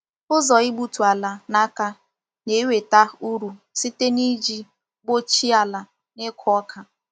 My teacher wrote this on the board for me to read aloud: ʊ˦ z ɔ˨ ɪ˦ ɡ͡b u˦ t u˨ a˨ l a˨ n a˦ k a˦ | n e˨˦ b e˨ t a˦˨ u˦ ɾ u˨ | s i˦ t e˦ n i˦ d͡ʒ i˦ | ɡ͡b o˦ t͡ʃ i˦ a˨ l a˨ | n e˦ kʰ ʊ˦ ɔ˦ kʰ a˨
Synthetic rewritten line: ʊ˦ z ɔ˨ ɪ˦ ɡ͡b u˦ t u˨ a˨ l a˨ n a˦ k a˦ | n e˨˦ w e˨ t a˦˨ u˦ ɾ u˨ | s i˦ t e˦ n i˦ d͡ʒ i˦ | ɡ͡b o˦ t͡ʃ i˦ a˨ l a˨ | n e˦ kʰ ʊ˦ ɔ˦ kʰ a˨